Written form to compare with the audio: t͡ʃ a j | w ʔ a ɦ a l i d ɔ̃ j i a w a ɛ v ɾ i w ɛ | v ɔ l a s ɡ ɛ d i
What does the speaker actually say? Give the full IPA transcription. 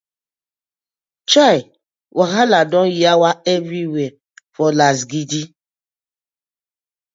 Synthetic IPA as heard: t͡ʃ a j | w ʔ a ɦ a l a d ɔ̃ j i a w a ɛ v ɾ i w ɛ | f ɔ l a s ɡ i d i